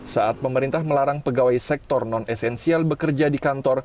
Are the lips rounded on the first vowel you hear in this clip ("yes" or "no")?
no